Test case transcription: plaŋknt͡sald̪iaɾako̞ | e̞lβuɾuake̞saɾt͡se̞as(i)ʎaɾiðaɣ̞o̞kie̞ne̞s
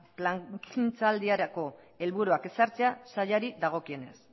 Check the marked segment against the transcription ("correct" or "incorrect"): incorrect